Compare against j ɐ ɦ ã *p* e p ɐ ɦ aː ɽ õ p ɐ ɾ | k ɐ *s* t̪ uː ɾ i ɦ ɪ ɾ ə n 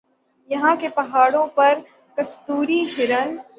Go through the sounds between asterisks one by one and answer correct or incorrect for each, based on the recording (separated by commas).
incorrect, correct